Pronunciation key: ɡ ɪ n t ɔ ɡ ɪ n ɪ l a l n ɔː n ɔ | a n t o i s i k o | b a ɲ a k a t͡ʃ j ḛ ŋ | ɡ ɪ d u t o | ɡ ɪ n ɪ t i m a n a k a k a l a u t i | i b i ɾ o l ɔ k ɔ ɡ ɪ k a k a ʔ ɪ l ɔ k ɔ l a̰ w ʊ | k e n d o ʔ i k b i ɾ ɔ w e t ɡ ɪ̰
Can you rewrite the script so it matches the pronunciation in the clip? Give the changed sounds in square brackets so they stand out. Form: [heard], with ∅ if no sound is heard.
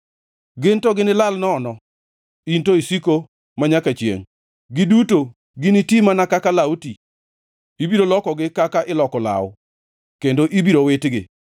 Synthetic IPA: ɡ ɪ n t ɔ ɡ ɪ n ɪ l a l n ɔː n ɔ | [i] n t o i s i k o | [m] a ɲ a k a t͡ʃ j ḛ ŋ | ɡ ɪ d u t o | ɡ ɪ n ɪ t i m a n a k a k a l a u t i | i b i ɾ o l ɔ k ɔ ɡ ɪ k a k a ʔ ɪ l ɔ k ɔ l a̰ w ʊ | k e n d o ʔ i [∅] b i ɾ [o] w e t ɡ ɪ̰